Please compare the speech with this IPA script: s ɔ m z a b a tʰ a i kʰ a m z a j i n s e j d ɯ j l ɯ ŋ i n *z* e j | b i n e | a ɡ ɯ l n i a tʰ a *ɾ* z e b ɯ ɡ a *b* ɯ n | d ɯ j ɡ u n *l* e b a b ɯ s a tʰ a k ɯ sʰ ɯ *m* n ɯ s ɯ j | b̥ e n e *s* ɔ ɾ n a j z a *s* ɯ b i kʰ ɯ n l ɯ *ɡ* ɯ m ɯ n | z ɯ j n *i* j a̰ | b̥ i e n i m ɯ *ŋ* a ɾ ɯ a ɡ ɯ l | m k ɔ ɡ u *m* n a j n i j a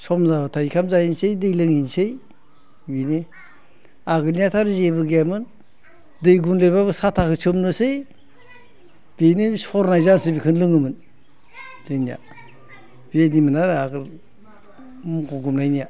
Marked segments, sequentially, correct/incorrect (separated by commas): incorrect, correct, incorrect, correct, correct, correct, correct, incorrect, correct, incorrect, correct